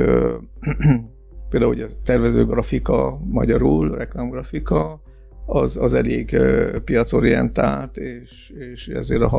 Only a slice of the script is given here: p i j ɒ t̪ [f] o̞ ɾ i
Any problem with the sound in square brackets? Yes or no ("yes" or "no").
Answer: yes